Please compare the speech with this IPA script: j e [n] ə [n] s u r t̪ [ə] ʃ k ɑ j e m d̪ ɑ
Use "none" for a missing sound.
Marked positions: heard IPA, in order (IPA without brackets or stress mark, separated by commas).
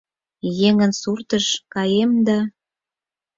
ŋ, n, ə